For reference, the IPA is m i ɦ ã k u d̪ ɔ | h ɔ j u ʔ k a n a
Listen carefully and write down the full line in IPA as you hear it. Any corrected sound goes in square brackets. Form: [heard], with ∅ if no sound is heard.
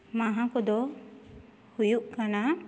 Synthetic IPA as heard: m [a] ɦ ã k [ɔ] d̪ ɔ | h [u] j u ʔ k a n a